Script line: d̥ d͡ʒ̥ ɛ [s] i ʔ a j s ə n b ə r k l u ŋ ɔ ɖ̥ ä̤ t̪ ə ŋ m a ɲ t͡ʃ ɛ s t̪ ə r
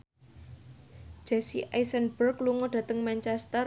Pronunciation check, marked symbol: correct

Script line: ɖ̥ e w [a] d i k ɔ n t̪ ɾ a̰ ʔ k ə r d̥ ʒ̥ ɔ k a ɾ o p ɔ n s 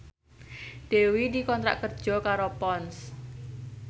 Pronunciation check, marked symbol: incorrect: i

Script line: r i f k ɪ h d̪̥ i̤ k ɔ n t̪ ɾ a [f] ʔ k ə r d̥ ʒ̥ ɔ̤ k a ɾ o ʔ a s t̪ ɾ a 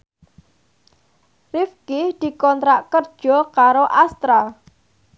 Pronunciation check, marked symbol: incorrect: none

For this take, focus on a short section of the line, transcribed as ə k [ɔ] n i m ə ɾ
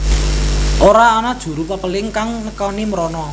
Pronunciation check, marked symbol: correct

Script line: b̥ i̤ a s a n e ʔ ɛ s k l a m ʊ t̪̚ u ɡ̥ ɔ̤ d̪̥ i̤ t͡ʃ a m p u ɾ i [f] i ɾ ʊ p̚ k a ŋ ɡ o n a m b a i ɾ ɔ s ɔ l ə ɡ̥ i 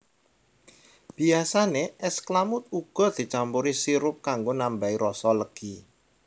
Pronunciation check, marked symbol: incorrect: s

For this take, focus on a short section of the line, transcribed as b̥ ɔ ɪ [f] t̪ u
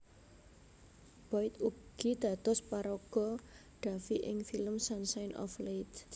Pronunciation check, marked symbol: incorrect: none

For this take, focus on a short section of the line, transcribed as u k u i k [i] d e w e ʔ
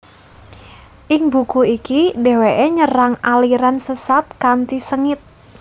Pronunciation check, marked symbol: correct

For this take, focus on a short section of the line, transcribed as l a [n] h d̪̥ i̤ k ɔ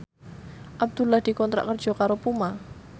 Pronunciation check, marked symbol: incorrect: none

